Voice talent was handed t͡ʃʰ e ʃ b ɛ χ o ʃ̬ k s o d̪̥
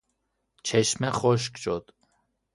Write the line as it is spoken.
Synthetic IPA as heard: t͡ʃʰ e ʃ m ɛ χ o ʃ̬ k ʃ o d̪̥